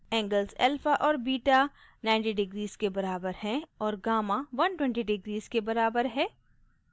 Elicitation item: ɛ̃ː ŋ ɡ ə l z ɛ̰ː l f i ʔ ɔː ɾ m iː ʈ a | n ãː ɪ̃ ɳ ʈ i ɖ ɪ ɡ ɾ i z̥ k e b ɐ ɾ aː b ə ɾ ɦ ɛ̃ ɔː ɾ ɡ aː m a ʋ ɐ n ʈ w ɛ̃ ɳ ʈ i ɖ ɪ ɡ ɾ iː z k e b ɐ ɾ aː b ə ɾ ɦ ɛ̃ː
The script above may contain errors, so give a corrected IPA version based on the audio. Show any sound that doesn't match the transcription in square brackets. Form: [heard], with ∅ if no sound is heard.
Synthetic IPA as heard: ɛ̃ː ŋ ɡ ə l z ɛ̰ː l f [a] ʔ ɔː ɾ [b] iː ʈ a | n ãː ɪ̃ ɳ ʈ i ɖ ɪ ɡ ɾ [iː] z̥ k e b ɐ ɾ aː b ə ɾ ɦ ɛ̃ ɔː ɾ ɡ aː m a ʋ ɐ n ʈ w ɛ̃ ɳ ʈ i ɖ ɪ ɡ ɾ iː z k e b ɐ ɾ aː b ə ɾ ɦ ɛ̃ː